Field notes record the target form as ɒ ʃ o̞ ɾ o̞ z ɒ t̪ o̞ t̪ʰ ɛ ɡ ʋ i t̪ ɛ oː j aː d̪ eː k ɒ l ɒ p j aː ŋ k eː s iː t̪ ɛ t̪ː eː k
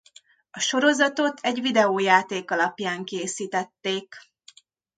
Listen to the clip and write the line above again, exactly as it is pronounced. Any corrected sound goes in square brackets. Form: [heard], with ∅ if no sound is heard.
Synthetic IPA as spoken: ɒ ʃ o̞ ɾ o̞ z ɒ t̪ o̞ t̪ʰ ɛ [ɟ] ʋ i [d̪] ɛ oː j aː [t̪] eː k ɒ l ɒ p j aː ŋ k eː s iː t̪ ɛ t̪ː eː k

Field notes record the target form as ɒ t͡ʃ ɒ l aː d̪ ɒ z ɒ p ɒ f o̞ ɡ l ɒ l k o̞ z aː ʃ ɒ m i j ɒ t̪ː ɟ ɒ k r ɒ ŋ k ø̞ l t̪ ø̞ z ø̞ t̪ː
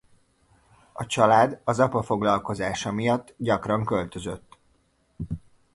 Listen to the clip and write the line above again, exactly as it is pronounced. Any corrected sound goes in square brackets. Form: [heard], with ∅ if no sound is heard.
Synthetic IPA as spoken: ɒ t͡ʃ ɒ l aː d̪ ɒ z ɒ p ɒ f o̞ ɡ l ɒ l k o̞ z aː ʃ ɒ m i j ɒ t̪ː ɟ ɒ k r ɒ ŋ k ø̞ l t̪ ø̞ z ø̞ t̪ː

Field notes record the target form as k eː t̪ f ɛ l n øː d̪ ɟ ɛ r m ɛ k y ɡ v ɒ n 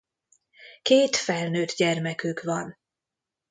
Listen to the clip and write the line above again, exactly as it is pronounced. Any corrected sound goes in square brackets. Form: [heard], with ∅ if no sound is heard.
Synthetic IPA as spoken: k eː t̪ f ɛ l n øː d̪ ɟ ɛ r m ɛ k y [k] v ɒ n

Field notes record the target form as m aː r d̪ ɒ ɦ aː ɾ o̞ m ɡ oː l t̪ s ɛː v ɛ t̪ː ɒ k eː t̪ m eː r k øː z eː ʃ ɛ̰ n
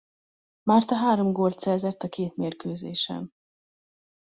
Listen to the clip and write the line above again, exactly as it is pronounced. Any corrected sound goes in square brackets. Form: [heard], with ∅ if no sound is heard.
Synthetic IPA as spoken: m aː r [t̪] ɒ ɦ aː ɾ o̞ m ɡ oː l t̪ s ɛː [z] ɛ t̪ː ɒ k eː t̪ m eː r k øː z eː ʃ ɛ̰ n

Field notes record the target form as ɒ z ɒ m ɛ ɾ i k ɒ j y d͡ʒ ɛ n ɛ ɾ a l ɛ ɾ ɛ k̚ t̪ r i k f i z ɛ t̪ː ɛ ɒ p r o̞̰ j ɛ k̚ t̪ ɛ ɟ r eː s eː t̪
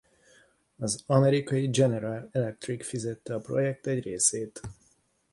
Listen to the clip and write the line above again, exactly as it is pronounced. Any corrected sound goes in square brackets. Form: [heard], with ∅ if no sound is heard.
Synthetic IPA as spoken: ɒ z ɒ m ɛ ɾ i k ɒ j [i] d͡ʒ ɛ n ɛ ɾ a l ɛ [l] ɛ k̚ t̪ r i k f i z ɛ t̪ː ɛ ɒ p r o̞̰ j ɛ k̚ t̪ ɛ ɟ r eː s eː t̪

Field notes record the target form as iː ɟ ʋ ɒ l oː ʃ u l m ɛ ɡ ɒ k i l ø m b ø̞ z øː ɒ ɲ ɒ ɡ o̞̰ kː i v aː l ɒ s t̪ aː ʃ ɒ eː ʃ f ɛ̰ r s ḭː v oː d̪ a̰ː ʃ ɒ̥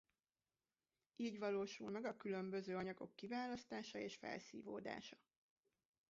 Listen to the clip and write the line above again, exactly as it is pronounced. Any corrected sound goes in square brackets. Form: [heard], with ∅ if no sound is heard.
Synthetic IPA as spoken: iː ɟ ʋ ɒ l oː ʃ u l m ɛ ɡ ɒ k [y] l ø m b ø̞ z øː ɒ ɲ ɒ ɡ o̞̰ kː i v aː l ɒ s t̪ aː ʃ ɒ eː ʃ f ɛ̰ [l] s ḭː v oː d̪ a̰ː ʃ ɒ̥

